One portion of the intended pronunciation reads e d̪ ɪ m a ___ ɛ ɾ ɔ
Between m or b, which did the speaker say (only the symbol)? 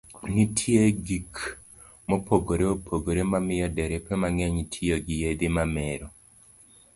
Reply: m